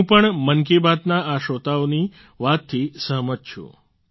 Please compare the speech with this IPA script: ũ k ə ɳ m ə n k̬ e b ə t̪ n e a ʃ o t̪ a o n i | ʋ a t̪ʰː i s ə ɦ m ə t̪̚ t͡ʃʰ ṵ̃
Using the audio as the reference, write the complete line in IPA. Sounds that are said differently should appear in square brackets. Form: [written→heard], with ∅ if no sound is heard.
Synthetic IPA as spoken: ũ [k→p] ə ɳ m ə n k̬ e b [ə→a] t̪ n [e→a] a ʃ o t̪ a o n i | ʋ a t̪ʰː i s ə ɦ m ə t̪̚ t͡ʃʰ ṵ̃